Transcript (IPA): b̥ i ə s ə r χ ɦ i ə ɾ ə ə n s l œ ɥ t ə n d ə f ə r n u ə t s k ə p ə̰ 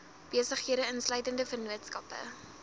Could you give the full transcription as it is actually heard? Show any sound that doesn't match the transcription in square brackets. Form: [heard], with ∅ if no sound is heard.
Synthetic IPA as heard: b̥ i ə s ə [∅] χ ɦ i ə ɾ ə ə n s l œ ɥ t ə n d ə f ə r n u ə t s k [ɐ] p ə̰